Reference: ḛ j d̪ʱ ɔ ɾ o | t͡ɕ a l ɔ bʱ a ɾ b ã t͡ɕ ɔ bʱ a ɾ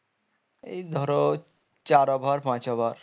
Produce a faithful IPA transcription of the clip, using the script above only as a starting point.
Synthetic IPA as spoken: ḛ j d̪ʱ ɔ ɾ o | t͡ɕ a ɾ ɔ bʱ a ɾ p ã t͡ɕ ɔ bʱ a ɾ